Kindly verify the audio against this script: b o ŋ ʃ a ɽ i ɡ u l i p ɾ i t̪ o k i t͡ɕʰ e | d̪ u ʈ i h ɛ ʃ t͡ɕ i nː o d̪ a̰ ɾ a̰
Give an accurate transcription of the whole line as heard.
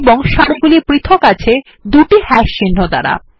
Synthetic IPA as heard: b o ŋ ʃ a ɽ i ɡ u l i p ɾ i t̪ʰ o k a t͡ɕʰ e | d̪ u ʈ i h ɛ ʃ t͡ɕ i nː o d̪ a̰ ɾ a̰